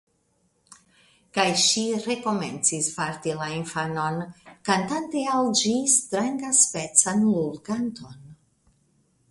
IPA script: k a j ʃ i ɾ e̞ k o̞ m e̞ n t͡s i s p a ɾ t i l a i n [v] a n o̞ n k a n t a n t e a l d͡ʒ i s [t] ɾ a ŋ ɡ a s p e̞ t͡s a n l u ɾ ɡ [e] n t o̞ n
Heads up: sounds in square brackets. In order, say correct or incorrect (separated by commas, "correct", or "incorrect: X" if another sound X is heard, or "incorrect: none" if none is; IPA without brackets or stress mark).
incorrect: f, correct, incorrect: a